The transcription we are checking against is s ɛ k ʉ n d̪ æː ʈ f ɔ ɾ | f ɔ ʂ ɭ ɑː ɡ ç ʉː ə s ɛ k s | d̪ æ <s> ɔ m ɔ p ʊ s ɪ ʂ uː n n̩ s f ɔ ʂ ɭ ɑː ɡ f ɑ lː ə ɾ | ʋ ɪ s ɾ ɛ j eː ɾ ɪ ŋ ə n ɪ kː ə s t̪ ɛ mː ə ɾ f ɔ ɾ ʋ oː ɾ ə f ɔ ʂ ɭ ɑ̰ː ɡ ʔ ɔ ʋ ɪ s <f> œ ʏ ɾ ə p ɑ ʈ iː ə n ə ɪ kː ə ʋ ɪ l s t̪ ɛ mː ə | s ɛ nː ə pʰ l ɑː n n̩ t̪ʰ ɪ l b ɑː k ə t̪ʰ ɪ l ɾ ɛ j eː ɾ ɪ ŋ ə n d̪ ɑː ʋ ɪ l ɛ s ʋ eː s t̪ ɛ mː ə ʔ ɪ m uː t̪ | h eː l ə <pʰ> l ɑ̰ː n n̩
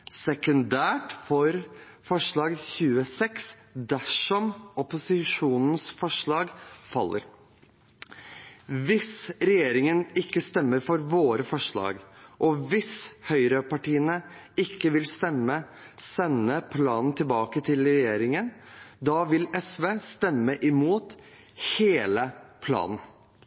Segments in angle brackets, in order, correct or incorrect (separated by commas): incorrect, incorrect, correct